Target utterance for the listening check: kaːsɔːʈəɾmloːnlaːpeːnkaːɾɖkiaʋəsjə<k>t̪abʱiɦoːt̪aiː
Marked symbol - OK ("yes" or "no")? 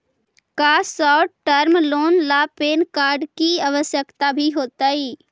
yes